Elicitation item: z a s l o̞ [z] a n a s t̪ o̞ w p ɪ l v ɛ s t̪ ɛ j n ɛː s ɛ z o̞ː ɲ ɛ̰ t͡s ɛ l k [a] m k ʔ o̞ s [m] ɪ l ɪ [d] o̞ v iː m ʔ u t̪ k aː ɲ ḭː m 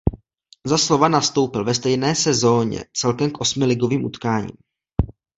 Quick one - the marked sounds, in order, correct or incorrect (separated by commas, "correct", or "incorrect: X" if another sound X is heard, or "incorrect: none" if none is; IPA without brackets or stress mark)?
incorrect: v, incorrect: ɛ, correct, incorrect: ɡ